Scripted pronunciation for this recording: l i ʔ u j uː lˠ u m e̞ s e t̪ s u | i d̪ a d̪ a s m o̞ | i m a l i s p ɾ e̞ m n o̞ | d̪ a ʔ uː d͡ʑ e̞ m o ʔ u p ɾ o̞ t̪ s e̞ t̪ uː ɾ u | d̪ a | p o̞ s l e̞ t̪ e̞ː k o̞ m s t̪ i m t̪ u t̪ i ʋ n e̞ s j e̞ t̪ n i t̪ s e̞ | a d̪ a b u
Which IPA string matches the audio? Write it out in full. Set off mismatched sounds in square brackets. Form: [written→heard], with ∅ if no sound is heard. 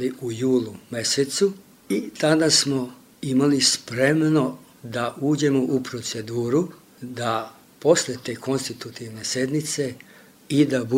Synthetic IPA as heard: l i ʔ u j uː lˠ u m e̞ s e t̪ s u | i [d̪→t̪] a d̪ a s m o̞ | i m a l i s p ɾ e̞ m n o̞ | d̪ a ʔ uː d͡ʑ e̞ m o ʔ u p ɾ o̞ t̪ s e̞ [t̪→d̪] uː ɾ u | d̪ a | p o̞ s l e̞ t̪ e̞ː k o̞ [m→n] s t̪ i [m→∅] t̪ u t̪ i ʋ n e̞ s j e̞ [t̪→d̪] n i t̪ s e̞ | [a→i] d̪ a b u